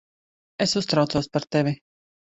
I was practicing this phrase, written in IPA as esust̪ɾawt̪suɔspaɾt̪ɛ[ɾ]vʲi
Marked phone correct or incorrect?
incorrect